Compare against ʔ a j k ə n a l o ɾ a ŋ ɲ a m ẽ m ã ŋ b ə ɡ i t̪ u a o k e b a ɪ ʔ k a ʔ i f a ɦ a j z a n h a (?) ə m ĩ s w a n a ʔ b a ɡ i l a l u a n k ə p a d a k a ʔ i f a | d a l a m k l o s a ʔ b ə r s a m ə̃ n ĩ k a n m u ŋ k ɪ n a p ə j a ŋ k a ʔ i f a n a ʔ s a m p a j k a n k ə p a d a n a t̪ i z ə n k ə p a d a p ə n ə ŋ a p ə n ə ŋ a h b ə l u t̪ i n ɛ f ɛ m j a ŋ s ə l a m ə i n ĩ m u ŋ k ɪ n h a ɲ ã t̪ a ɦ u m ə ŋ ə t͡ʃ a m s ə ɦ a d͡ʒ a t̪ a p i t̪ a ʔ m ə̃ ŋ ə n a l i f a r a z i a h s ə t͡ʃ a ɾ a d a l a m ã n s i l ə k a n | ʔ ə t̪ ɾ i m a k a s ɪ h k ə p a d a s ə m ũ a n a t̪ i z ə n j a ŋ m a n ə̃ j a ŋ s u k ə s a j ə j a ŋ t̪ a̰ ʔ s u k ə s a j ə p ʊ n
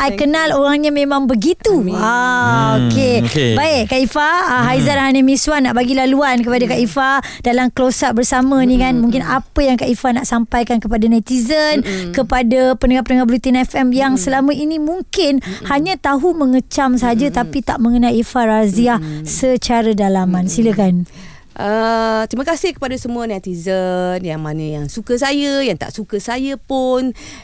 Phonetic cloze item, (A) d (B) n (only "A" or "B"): B